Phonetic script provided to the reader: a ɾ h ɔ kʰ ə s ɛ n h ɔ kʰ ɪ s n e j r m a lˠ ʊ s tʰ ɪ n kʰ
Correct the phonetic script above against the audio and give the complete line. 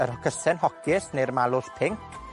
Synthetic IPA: ə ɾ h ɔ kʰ ə s ɛ n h ɔ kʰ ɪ s n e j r m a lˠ ʊ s pʰ ɪ ŋ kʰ